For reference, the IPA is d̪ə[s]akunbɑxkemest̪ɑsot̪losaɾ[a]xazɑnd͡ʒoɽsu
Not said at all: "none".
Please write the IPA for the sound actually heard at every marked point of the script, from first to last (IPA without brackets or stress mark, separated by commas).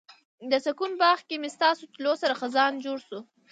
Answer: s, a